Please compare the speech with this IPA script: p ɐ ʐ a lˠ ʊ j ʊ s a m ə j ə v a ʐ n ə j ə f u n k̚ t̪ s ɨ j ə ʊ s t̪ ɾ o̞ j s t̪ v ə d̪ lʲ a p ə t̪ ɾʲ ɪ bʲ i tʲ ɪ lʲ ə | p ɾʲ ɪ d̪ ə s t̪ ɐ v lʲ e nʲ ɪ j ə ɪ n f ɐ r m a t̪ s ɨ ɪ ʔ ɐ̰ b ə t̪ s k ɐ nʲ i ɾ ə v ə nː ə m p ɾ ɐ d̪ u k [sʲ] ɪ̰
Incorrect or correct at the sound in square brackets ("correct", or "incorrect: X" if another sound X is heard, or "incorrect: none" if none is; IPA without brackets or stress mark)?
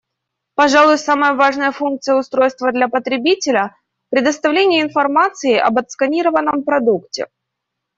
incorrect: tʲ